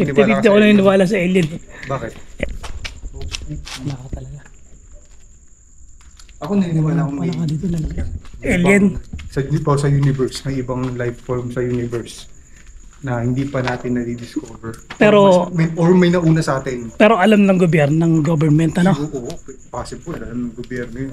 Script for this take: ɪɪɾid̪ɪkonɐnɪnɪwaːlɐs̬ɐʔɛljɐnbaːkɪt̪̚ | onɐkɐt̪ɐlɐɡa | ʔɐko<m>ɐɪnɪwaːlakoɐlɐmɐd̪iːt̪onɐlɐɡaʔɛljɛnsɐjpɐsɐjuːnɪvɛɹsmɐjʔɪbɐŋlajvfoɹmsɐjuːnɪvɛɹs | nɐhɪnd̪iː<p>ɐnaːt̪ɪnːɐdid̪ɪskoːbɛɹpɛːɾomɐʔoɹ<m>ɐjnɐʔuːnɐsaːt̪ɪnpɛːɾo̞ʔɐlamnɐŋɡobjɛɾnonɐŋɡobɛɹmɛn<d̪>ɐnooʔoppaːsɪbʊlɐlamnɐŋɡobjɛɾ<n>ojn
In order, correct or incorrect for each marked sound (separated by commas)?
incorrect, correct, correct, incorrect, correct